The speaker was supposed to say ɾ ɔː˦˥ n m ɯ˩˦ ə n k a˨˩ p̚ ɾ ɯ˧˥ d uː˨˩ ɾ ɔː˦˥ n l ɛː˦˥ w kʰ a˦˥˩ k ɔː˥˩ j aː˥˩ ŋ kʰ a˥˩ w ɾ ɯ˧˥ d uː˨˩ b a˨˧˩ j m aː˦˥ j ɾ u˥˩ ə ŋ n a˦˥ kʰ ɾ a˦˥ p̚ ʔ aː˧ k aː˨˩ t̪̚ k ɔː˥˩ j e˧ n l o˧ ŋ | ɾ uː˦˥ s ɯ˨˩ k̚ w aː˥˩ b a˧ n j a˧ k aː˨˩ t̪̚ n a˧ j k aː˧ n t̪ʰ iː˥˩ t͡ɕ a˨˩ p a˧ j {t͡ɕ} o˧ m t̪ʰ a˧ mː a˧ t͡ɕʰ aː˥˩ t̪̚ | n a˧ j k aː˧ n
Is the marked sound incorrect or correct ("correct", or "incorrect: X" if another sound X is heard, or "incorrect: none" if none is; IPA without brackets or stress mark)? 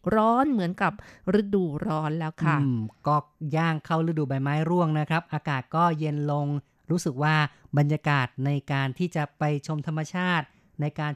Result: incorrect: t͡ɕʰ